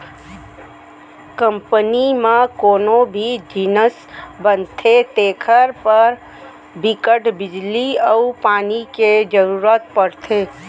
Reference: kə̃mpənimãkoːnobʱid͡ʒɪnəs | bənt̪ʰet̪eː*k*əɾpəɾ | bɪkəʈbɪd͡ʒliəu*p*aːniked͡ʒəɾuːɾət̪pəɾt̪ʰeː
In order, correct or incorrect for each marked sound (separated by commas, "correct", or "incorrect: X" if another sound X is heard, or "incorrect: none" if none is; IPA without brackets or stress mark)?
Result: incorrect: kʰ, correct